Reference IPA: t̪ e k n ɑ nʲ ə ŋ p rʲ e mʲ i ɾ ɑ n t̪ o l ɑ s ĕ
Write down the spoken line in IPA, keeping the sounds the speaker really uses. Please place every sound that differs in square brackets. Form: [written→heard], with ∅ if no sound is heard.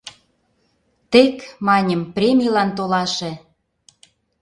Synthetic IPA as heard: t̪ e k [n→m] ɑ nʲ ə [ŋ→m] p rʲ e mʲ i [ɾ→l] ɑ n t̪ o l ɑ [s→ʃ] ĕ